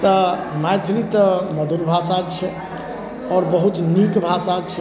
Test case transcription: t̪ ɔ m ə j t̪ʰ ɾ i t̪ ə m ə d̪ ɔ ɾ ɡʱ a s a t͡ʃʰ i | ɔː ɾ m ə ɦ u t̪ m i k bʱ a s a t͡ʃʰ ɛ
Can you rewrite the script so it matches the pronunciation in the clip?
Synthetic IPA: t̪ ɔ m a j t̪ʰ ɾ i t̪ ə m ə d̪ u ɾ bʱ a s a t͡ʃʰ ɛ | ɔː ɾ b ə ɦ u t̪ n i k bʱ a s a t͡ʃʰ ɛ